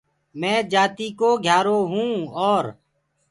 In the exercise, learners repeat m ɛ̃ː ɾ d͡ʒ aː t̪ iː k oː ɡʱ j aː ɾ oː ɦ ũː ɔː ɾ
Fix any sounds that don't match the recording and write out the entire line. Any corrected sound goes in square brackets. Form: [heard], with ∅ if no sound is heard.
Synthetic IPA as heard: m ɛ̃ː [∅] d͡ʒ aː t̪ iː k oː ɡʱ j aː ɾ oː ɦ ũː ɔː ɾ